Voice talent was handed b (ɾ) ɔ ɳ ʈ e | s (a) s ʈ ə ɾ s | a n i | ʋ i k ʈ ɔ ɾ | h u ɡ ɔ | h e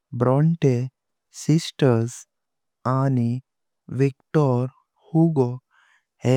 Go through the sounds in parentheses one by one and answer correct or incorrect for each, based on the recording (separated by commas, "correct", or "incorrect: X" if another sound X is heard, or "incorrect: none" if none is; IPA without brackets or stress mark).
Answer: correct, incorrect: i